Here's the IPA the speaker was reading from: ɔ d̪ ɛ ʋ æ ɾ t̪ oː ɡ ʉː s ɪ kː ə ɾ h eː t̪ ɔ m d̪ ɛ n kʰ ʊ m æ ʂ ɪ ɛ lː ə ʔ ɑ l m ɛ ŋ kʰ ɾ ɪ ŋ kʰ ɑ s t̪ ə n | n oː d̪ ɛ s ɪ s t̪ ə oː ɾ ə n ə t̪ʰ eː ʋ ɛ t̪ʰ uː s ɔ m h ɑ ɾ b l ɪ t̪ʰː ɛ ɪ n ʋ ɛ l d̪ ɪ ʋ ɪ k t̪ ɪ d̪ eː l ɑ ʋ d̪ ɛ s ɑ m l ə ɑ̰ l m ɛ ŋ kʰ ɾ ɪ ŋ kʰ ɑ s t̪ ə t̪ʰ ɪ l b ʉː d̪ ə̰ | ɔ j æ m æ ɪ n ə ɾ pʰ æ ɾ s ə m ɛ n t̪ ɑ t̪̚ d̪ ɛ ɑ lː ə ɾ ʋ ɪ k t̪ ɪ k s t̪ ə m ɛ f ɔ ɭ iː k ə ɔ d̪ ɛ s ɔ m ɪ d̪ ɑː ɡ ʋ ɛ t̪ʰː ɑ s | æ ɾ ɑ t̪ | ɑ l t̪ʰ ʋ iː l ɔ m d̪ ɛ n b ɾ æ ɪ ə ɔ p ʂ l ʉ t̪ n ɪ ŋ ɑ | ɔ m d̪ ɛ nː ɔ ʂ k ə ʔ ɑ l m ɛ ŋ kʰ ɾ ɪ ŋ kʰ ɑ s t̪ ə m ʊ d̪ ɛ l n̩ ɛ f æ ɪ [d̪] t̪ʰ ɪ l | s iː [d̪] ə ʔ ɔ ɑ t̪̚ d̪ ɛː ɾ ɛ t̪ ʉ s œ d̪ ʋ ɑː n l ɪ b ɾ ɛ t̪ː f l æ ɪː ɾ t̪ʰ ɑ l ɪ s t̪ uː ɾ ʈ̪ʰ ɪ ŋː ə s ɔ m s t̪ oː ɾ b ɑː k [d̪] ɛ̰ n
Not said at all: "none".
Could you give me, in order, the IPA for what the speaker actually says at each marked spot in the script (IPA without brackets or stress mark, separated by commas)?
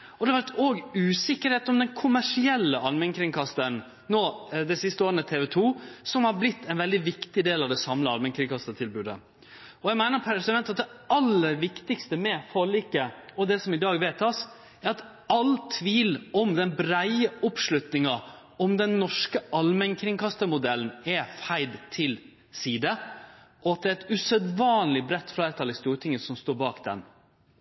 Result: d̪, d̪, d̪